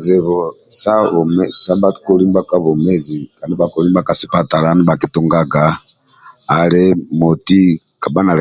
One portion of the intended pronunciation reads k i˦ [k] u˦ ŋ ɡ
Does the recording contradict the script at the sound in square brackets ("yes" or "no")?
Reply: yes